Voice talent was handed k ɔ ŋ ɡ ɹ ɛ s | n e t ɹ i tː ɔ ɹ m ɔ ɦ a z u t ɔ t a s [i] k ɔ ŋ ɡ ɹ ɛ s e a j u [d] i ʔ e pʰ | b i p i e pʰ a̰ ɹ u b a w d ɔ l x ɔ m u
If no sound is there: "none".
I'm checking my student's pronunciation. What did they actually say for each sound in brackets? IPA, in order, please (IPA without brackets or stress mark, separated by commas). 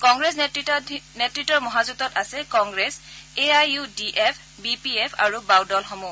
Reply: ɛ, d